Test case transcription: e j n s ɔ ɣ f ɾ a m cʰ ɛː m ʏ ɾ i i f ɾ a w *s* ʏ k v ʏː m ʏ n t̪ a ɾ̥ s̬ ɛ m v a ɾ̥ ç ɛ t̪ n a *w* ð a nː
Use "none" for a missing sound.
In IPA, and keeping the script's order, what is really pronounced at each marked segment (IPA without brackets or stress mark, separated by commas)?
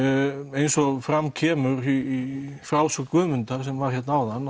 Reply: s, w